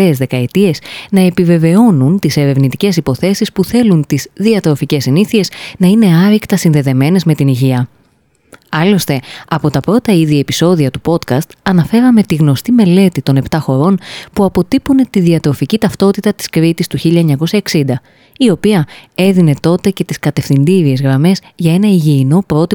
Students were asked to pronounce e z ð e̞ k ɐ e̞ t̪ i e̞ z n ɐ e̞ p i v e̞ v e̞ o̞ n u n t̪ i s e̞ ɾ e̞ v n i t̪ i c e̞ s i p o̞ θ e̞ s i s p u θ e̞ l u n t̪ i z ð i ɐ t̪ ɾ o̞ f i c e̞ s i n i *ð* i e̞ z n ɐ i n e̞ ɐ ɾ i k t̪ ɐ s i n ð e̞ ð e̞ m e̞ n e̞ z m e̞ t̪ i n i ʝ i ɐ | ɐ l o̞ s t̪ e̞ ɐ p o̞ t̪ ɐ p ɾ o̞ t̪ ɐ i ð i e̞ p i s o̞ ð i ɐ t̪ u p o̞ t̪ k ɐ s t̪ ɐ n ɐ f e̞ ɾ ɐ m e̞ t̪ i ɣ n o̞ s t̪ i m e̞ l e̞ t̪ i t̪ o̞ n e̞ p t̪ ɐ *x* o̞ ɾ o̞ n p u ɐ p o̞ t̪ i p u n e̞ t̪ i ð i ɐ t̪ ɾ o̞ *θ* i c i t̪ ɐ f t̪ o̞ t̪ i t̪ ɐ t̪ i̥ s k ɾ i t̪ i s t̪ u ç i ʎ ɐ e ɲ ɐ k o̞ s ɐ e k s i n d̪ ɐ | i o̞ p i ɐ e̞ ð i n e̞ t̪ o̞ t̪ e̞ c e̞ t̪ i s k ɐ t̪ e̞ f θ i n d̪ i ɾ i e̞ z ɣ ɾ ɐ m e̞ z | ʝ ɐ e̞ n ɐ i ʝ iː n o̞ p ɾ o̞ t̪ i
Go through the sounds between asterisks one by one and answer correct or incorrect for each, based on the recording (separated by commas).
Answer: incorrect, correct, incorrect